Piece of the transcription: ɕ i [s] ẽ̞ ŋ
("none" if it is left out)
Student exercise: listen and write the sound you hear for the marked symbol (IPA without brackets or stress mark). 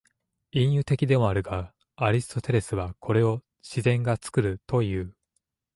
z